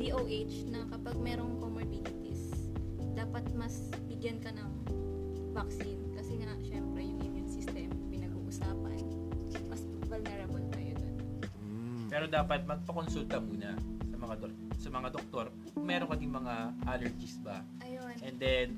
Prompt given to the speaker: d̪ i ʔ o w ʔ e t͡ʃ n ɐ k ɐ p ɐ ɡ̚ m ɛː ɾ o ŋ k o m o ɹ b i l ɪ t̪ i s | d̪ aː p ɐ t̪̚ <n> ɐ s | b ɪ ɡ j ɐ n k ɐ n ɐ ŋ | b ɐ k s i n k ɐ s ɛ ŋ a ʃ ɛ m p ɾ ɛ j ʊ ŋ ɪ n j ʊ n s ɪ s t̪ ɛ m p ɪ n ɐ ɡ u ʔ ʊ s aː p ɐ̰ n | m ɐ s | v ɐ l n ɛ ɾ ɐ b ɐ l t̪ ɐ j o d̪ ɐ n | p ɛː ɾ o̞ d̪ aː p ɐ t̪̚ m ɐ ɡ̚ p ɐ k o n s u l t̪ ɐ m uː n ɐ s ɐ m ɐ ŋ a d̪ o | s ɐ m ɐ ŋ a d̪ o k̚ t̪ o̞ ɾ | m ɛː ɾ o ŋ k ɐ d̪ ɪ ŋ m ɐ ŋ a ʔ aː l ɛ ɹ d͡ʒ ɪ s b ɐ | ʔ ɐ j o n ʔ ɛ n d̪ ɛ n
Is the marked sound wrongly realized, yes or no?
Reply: yes